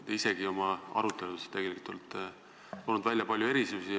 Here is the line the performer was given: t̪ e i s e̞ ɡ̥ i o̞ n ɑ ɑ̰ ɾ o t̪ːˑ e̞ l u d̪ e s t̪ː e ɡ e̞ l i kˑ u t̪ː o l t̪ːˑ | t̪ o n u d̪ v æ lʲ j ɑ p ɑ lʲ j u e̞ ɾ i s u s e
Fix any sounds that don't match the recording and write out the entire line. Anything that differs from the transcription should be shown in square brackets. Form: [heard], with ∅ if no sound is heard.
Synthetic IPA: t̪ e i s e̞ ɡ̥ i o̞ [m] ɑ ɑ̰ ɾ [u] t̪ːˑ e̞ l u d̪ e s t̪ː e ɡ e̞ l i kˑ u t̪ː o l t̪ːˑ | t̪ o n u d̪ v æ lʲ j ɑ p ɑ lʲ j u e̞ ɾ i s u s [i]